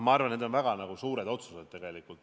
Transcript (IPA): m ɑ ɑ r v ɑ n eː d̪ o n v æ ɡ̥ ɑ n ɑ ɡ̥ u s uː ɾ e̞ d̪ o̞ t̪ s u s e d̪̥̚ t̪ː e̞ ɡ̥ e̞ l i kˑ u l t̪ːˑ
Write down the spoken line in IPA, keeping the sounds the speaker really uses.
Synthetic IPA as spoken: m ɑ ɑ r v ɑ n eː d̪ o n v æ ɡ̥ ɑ n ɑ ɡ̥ u s uː ɾ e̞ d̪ o̞ t̪ s u s e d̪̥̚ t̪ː e̞ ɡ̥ e̞ l i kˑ u l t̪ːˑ